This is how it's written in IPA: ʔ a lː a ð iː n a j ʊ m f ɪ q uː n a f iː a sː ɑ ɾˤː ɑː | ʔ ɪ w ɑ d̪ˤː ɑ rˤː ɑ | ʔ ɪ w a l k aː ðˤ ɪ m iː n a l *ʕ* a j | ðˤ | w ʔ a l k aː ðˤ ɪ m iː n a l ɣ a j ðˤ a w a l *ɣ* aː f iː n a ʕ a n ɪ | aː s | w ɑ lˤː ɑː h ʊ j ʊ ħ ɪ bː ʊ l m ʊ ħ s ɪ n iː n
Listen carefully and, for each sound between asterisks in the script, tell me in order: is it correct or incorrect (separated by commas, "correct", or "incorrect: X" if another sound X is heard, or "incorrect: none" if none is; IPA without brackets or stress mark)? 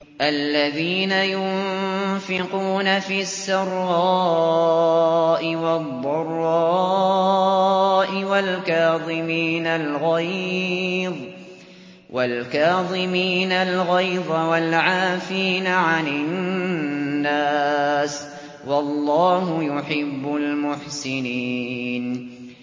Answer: incorrect: ɣ, incorrect: ʕ